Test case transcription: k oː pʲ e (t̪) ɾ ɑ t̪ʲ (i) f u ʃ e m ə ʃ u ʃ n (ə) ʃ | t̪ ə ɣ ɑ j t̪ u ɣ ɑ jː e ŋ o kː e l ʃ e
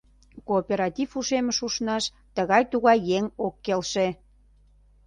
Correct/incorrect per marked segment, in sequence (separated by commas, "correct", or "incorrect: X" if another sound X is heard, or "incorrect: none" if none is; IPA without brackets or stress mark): incorrect: none, correct, incorrect: ɑ